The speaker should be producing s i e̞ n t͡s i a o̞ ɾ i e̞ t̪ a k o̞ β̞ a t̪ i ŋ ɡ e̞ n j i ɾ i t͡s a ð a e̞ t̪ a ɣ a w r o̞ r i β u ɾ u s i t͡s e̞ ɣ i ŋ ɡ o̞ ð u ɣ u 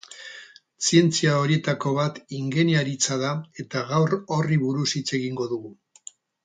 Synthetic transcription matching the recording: s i e̞ n t͡s i a o̞ ɾ i e̞ t̪ a k o̞ β̞ a t̪ i ŋ ɡ e̞ n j a ɾ i t͡s a ð a e̞ t̪ a ɣ a w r o̞ r i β u ɾ u s i t͡s e̞ ɣ i ŋ ɡ o̞ ð u ɣ u